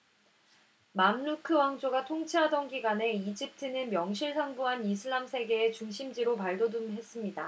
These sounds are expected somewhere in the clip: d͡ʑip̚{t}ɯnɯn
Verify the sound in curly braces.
incorrect: tʰ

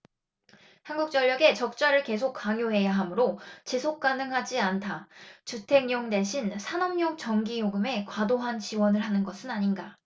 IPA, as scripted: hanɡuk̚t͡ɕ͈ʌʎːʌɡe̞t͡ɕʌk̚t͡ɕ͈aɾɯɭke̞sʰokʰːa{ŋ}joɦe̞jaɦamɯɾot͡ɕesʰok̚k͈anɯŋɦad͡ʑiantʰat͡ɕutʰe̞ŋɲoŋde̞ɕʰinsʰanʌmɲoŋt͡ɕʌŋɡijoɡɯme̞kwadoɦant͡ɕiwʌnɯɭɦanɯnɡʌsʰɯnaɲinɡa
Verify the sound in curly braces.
correct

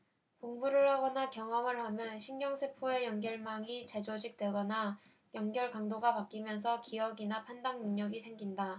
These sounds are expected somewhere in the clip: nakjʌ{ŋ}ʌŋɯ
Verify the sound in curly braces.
correct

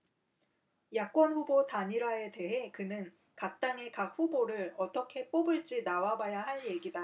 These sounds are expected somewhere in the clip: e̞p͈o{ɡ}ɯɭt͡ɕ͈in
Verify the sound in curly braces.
incorrect: b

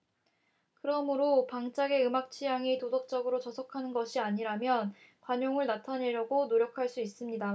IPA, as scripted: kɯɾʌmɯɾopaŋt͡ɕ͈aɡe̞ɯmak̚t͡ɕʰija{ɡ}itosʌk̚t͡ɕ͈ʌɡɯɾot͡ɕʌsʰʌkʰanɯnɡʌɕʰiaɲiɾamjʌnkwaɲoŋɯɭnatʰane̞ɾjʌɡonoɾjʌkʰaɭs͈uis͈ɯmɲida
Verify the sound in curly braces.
incorrect: ŋ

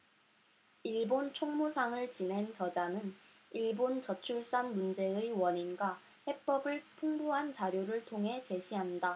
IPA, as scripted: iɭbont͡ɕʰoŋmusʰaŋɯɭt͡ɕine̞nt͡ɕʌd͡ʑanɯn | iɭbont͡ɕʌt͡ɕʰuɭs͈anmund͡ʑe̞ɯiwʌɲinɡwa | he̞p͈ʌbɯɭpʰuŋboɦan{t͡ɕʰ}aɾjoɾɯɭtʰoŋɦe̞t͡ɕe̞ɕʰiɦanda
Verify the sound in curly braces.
incorrect: t͡ɕ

